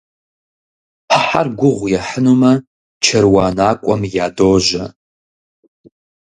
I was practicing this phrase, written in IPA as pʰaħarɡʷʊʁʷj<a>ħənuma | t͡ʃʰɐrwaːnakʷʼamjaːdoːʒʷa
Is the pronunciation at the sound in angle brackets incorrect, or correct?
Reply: correct